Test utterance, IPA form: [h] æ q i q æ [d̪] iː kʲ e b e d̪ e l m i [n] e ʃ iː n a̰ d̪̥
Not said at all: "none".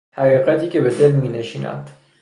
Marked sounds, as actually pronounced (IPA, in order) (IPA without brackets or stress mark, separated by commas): h, t̪, n